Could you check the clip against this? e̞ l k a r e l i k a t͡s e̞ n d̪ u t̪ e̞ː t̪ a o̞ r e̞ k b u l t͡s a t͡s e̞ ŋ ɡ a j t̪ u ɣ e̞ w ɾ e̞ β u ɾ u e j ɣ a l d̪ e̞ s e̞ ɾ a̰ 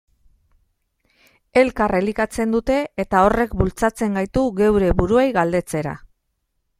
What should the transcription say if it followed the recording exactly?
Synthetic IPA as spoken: e̞ l k a r e l i k a t͡s e̞ n d̪ u t̪ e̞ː t̪ a o̞ r e̞ k b u l t͡s a t͡s e̞ ŋ ɡ a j t̪ u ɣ e̞ w ɾ e̞ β u ɾ u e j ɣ a l d̪ e̞ t͡s e̞ ɾ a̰

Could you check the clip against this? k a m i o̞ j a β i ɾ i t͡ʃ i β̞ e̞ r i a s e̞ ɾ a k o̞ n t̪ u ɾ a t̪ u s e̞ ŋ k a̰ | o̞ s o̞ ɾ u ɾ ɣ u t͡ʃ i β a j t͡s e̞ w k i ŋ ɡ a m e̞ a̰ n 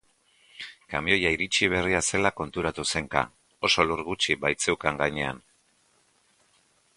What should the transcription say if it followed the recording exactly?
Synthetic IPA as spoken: k a m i o̞ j a i ɾ i t͡ʃ i β̞ e̞ r i a s e̞ l a k o̞ n t̪ u ɾ a t̪ u s e̞ ŋ k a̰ | o̞ s o̞ l u ɾ ɣ u t͡ʃ i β a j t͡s e̞ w k a ŋ ɡ a ɲ e̞ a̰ n

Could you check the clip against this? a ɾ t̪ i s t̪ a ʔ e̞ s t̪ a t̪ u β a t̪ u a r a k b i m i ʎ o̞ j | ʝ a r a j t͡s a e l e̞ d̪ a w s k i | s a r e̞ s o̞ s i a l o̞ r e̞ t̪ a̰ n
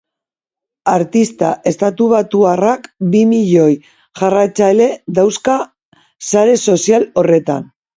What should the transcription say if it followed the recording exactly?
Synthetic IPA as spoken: a ɾ t̪ i s t̪ a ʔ e̞ s t̪ a t̪ u β a t̪ u a r a k b i m i ʎ o̞ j | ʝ a r a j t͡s a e l e̞ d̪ a w s k a | s a ɾ e̞ s o̞ s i a l o̞ r e̞ t̪ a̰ n

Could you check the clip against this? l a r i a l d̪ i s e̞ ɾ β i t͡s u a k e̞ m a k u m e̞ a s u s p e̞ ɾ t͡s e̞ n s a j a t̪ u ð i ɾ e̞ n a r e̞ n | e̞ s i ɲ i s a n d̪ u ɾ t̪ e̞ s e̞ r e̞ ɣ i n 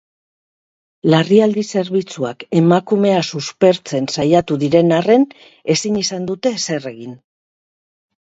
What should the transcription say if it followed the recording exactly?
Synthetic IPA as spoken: l a r i a l d̪ i s e̞ ɾ β i t͡s u a k e̞ m a k u m e̞ a s u s p e̞ ɾ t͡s e̞ n s a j a t̪ u ð i ɾ e̞ n a r e̞ n | e̞ s i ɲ i s a n d̪ u t̪ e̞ s e̞ r e̞ ɣ i n

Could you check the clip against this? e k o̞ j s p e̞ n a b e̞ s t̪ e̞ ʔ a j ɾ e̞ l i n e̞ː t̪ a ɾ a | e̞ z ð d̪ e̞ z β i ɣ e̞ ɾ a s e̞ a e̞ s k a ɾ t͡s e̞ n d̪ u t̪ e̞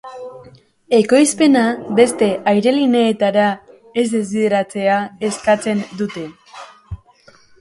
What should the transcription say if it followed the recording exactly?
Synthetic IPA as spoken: e k o̞ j s p e̞ n a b e̞ s t̪ e̞ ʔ a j ɾ e̞ l i n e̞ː t̪ a ɾ a | e̞ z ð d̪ e̞ z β i ð e̞ ɾ a t͡s e̞ a e̞ s k a t͡s e̞ n d̪ u t̪ e̞

